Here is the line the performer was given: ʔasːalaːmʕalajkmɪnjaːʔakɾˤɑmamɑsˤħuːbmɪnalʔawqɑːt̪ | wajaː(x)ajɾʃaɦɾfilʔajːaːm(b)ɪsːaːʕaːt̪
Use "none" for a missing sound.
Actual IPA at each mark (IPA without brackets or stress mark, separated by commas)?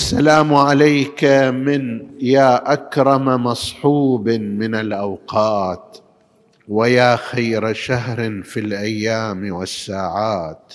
x, w